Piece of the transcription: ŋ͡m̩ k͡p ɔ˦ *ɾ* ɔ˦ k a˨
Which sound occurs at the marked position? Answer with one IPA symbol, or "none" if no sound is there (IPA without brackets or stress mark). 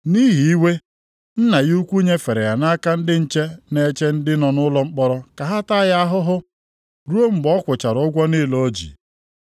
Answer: ɾ